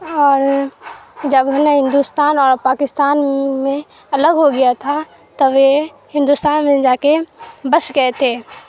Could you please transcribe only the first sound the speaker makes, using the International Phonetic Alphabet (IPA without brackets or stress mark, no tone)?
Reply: ɔː